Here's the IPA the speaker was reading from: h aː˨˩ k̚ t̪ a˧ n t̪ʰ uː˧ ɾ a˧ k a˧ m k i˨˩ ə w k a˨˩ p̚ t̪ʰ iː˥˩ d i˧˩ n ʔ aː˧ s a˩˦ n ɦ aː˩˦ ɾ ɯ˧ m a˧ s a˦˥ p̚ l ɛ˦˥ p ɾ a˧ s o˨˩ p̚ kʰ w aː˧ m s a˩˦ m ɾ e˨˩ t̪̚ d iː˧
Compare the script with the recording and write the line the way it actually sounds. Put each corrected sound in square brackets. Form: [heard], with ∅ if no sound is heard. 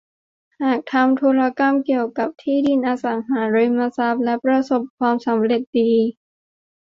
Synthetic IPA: h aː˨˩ k̚ [t̪ʰ] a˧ [m] t̪ʰ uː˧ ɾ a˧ k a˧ m k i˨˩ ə w k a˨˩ p̚ t̪ʰ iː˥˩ d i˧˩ n ʔ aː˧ s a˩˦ [ŋ] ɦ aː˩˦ ɾ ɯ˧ m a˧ s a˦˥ p̚ l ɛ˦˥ p ɾ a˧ s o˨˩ p̚ kʰ w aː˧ m s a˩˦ m ɾ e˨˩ t̪̚ d iː˧